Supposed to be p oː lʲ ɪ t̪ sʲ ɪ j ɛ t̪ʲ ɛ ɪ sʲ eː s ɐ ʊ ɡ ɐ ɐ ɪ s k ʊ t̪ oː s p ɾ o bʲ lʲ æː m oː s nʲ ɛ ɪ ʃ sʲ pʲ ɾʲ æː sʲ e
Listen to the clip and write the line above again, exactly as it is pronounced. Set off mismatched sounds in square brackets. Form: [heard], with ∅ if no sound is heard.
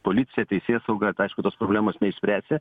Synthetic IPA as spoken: p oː lʲ ɪ t̪ sʲ ɪ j ɛ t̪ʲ ɛ ɪ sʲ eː s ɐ ʊ ɡ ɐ ɐ ɪ [ʃ] k ʊ t̪ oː s p ɾ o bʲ lʲ æː m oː s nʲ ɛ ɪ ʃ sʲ pʲ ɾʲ æː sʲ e